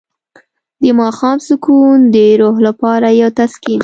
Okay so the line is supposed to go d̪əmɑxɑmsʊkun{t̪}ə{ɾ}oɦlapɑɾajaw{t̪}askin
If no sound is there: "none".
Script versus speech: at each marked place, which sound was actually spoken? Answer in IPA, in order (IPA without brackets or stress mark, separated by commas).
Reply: d̪, ɾ, t̪